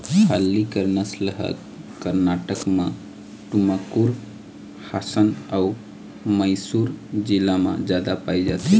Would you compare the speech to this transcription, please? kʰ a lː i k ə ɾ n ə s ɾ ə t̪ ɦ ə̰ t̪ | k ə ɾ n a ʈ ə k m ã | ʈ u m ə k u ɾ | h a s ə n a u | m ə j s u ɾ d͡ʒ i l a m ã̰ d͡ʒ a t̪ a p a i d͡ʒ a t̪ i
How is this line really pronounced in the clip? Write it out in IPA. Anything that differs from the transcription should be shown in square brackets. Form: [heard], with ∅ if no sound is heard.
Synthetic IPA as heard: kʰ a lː i k ə ɾ n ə s [l] ə [∅] ɦ ə̰ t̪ | k ə ɾ n a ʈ ə k m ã | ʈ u m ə k u ɾ | h a s ə n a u | m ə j s u ɾ d͡ʒ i l a m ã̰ d͡ʒ a [d̪] a p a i d͡ʒ a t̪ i